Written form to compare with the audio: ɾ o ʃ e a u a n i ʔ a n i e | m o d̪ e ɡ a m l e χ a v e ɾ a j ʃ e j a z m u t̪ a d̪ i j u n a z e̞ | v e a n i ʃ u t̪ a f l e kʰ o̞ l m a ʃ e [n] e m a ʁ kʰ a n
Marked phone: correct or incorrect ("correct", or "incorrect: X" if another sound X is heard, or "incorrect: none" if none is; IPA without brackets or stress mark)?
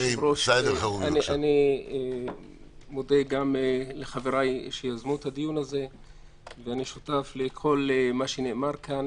correct